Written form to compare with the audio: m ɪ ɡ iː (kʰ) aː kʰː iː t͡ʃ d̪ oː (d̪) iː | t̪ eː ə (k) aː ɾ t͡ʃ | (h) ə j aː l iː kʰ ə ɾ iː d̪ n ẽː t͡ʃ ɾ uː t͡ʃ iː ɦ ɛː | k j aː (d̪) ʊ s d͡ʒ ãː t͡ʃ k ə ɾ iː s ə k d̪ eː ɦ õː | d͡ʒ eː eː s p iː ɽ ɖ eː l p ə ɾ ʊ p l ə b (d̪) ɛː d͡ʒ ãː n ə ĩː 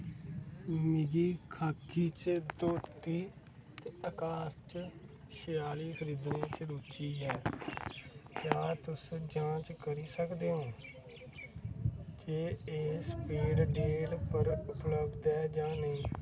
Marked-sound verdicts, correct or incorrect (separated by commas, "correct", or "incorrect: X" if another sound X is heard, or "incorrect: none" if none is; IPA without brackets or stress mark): correct, incorrect: t̪, correct, incorrect: ʃ, incorrect: t̪, correct